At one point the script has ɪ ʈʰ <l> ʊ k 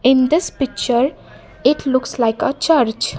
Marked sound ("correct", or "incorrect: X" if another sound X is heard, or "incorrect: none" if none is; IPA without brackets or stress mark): correct